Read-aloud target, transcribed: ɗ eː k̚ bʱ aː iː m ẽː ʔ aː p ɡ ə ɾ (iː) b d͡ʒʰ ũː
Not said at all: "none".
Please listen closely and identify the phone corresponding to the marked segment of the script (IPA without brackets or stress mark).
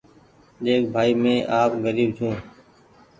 iː